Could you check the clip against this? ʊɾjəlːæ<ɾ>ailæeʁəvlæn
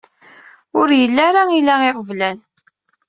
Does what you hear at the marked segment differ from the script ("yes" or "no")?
no